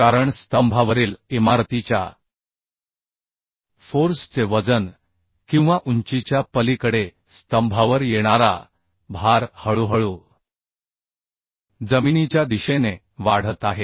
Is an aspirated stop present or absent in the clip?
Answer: absent